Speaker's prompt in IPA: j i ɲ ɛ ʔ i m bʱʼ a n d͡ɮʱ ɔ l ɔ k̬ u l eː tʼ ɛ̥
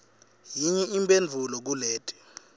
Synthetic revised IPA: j i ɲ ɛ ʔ i m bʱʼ e n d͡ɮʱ u l ɔ k̬ u l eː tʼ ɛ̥